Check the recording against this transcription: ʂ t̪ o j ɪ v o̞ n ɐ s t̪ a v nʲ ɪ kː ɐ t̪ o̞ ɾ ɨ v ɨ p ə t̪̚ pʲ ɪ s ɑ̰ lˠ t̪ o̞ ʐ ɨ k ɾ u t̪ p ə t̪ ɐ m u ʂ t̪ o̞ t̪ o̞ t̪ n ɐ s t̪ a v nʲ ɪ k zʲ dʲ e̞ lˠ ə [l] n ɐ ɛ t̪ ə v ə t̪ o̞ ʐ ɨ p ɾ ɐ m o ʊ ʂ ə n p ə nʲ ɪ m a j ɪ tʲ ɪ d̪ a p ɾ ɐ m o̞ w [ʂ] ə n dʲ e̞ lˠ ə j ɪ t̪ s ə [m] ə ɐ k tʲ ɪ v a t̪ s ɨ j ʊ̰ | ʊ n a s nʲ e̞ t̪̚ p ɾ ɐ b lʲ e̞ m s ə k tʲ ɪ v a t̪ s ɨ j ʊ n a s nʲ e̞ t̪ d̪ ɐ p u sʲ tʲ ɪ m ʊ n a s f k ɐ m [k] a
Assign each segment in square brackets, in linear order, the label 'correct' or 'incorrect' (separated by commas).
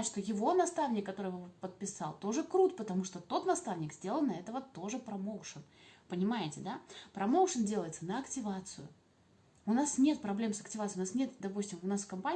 correct, correct, incorrect, incorrect